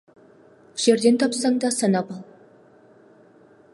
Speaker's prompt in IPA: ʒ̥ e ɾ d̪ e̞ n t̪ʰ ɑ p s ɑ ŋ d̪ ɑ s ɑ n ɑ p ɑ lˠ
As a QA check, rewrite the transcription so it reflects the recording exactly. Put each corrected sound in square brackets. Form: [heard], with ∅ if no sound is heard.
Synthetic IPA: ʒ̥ e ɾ d̪ e̞ n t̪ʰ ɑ p s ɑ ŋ d̪ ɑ s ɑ n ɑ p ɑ lˠ